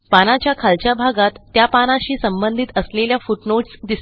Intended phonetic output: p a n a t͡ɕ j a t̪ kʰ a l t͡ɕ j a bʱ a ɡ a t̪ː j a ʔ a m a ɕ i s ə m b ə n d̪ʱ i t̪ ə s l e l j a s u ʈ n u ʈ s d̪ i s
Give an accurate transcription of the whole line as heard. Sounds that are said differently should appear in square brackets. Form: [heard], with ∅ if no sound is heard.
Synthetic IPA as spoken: p a n a t͡ɕ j a [∅] kʰ a l t͡ɕ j a bʱ a ɡ a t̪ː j a [p] a [n] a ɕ [iː] s ə m b ə n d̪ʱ i t̪ ə s l e l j a [f] u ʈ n [o] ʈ s d̪ i s